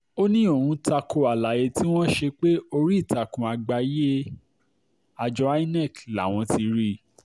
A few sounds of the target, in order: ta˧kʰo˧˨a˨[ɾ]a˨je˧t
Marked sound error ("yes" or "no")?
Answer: yes